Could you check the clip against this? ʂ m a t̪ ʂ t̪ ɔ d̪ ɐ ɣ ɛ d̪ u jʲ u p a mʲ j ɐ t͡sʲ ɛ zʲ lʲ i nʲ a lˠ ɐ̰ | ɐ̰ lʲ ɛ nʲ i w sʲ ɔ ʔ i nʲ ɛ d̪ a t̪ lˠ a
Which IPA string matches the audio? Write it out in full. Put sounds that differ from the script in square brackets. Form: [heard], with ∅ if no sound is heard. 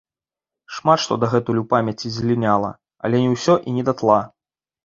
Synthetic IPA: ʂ m a t̪ ʂ t̪ ɔ d̪ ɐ ɣ ɛ [t̪] u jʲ u p a mʲ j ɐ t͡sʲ [i] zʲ lʲ i nʲ a lˠ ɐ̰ | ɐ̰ lʲ ɛ nʲ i w sʲ ɔ ʔ i nʲ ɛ d̪ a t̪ lˠ a